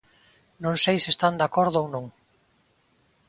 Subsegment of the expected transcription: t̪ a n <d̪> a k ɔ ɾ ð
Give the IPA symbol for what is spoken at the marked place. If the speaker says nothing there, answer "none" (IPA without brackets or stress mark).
d̪